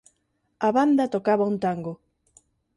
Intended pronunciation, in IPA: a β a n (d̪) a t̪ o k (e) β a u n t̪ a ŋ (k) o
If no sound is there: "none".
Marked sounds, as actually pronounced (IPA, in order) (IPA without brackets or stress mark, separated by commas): d̪, a, ɡ